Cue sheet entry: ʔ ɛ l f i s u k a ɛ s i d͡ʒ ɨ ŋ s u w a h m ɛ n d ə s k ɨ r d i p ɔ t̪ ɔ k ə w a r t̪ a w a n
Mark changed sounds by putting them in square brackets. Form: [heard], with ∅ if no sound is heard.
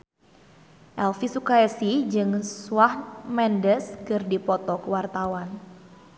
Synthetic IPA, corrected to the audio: ʔ ɛ l f i s u k a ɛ s i d͡ʒ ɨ ŋ s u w a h m ɛ n d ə s k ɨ r d i p ɔ t̪ ɔ k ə w a r t̪ a w a n